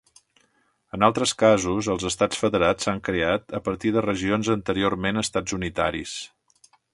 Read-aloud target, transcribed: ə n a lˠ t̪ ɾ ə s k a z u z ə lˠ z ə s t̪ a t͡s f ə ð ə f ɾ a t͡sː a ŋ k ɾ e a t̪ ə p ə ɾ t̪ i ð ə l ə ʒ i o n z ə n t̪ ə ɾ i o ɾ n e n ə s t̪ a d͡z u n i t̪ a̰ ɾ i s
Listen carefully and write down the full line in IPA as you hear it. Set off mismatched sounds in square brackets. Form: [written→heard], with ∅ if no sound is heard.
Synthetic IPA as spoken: ə n a lˠ t̪ ɾ ə s k a z u z ə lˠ z ə s t̪ a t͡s f ə ð ə [f→∅] ɾ a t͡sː a ŋ k ɾ e a t̪ ə p ə ɾ t̪ i ð ə [l→r] ə ʒ i o n z ə n t̪ ə ɾ i o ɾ [n→m] e n ə s t̪ a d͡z u n i t̪ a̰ ɾ i s